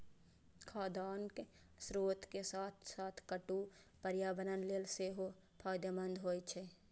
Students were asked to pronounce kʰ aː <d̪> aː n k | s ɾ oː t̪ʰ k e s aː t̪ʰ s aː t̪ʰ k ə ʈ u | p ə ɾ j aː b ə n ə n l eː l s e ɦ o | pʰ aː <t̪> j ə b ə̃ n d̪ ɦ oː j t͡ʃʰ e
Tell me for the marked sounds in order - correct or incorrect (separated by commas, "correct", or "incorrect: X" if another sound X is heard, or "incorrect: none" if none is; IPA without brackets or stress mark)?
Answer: correct, incorrect: d̪